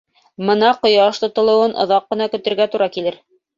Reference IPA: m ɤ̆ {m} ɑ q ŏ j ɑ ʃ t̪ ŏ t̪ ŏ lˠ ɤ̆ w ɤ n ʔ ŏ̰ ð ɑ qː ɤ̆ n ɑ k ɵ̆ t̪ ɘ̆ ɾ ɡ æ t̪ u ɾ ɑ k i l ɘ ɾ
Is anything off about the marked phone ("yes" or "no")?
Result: yes